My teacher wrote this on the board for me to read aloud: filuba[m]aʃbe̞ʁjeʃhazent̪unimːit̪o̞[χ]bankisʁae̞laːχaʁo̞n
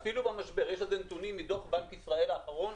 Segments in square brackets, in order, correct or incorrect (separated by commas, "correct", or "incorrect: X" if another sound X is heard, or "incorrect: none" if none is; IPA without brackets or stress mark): correct, correct